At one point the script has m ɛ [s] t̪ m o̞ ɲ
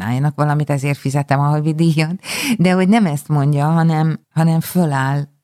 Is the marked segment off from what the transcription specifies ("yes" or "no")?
no